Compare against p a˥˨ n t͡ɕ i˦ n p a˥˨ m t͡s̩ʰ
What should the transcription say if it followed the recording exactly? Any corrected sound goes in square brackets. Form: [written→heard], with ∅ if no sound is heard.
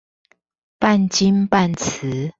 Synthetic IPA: p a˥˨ n t͡ɕ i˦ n p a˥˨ [m→n] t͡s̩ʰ